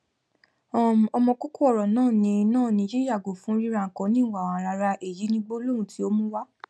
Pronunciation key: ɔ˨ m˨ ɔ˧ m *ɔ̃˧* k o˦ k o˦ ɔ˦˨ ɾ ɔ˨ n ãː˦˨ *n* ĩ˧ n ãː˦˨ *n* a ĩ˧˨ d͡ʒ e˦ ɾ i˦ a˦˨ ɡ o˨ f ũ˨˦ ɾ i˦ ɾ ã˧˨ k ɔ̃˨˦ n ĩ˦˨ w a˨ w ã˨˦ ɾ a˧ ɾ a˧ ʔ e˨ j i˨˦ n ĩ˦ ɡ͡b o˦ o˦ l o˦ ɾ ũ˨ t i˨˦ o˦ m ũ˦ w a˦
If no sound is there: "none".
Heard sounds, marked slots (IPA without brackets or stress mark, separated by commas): ɔ̃˧, n, n